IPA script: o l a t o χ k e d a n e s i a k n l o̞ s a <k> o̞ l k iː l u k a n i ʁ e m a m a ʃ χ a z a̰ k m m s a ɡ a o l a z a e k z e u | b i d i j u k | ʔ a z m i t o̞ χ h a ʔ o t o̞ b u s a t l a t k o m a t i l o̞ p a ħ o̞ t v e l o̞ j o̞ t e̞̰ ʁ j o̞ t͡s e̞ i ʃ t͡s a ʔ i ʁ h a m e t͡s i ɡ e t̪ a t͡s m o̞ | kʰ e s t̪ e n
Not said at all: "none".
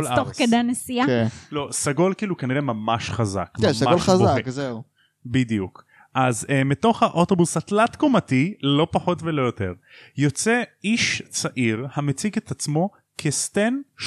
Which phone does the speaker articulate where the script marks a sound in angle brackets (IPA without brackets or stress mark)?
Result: ɡ